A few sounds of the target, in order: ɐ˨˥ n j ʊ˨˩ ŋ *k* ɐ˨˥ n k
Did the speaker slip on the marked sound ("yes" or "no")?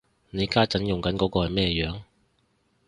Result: no